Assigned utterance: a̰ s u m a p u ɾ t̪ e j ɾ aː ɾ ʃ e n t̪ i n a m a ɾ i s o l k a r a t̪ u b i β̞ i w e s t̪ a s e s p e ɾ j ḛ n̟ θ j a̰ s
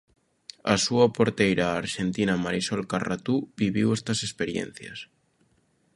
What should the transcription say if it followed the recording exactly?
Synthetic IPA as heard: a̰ s u a p o ɾ t̪ e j ɾ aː ɾ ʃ e n t̪ i n a m a ɾ i s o l k a r a t̪ u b i β̞ i w e s t̪ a s e s p e ɾ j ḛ n̟ θ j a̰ s